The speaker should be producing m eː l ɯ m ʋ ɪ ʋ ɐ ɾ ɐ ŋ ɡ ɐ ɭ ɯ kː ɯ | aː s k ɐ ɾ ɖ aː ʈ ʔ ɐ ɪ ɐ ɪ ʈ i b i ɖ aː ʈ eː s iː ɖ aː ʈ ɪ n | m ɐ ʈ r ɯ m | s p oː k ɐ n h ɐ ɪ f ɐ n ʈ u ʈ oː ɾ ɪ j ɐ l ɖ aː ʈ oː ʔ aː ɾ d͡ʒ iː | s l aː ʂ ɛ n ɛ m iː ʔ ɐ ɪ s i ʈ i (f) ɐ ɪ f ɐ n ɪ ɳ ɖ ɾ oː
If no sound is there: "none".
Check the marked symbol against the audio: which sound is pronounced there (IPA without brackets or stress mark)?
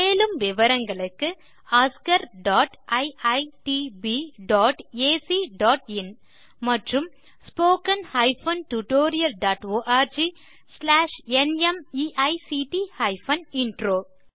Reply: h